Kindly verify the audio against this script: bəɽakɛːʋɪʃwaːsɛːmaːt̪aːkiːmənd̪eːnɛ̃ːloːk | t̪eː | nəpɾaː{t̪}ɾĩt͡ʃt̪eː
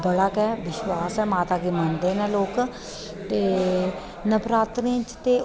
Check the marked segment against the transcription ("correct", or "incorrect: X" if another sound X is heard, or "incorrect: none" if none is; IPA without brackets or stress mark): correct